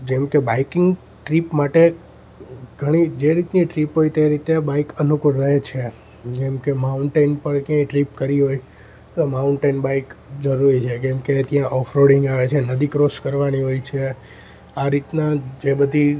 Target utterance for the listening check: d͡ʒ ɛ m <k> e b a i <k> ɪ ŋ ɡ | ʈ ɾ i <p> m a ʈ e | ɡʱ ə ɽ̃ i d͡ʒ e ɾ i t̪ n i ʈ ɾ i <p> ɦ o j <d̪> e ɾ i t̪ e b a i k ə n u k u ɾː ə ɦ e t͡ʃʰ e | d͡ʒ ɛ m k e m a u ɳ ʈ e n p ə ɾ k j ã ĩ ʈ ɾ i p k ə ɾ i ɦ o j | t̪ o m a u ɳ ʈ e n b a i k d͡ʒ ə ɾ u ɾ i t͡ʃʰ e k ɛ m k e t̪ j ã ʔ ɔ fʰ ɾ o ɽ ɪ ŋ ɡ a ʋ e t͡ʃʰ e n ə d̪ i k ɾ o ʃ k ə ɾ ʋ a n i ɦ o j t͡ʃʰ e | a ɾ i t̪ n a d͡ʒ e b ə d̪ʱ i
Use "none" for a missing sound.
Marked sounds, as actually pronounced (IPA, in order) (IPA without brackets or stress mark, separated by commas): k, k, p, p, t̪